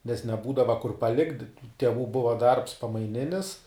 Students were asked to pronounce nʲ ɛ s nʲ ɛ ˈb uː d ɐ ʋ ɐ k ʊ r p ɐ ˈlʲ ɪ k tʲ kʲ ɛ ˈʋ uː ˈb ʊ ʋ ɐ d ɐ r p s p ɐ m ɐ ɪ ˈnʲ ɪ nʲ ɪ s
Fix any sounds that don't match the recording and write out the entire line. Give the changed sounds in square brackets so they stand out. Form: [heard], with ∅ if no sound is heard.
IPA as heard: nʲ ɛ s nʲ ɛ ˈb uː d ɐ ʋ ɐ k ʊ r p ɐ ˈlʲ ɪ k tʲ [tʲ] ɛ ˈʋ uː ˈb ʊ ʋ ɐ d ɐ r p s p ɐ m ɐ ɪ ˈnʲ ɪ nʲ ɪ s